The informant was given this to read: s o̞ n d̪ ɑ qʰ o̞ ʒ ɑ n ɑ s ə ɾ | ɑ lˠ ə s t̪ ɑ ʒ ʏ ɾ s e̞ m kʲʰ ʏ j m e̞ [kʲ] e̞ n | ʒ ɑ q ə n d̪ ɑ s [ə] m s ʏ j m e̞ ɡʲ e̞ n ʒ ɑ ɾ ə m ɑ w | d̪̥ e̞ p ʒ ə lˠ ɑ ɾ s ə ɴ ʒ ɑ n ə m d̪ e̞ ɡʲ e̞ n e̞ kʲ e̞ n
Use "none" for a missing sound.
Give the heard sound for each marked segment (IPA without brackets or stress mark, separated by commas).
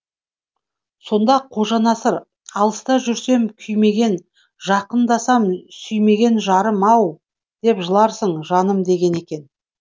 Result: ɡʲ, ɑ